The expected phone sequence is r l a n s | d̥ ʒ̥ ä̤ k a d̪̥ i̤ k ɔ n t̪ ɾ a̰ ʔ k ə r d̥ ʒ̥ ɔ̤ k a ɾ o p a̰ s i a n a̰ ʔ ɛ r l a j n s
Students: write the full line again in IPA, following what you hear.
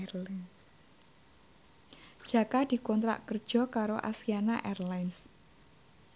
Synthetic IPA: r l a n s | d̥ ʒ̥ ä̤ k a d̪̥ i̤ k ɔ n t̪ ɾ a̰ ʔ k ə r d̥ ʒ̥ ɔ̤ k a ɾ o ʔ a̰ s i a n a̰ ʔ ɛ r l a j n s